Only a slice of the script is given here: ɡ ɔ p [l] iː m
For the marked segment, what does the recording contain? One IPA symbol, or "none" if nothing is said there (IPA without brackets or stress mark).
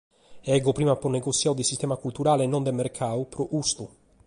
ɾ